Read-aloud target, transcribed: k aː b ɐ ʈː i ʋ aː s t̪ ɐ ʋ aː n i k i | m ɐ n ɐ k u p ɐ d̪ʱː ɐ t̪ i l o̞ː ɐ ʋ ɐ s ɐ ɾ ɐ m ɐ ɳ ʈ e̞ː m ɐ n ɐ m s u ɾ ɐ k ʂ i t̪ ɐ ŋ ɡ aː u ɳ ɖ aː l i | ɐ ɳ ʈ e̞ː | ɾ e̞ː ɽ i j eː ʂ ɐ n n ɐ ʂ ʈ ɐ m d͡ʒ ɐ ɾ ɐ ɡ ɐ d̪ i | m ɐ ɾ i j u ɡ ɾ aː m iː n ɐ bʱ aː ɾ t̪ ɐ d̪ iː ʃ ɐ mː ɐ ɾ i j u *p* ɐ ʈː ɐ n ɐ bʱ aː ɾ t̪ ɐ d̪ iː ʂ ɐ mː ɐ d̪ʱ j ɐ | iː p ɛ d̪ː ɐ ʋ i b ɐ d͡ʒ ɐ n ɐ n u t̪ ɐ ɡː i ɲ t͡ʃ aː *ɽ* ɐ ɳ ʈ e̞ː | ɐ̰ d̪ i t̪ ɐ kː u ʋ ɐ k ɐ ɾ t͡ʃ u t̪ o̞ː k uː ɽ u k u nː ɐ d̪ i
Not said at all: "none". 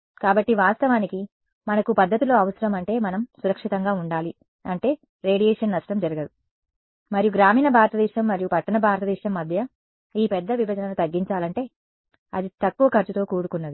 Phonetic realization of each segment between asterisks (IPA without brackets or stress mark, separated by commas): p, l